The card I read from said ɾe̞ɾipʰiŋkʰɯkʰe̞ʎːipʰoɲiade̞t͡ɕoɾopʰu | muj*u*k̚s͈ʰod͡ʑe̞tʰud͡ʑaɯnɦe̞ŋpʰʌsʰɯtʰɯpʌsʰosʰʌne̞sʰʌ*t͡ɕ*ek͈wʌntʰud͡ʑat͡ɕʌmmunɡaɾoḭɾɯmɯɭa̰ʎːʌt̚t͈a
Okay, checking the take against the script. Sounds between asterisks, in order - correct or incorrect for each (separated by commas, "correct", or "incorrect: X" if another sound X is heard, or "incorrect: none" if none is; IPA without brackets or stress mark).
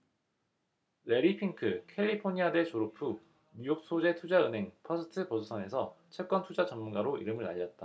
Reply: incorrect: o, incorrect: t͡ɕʰ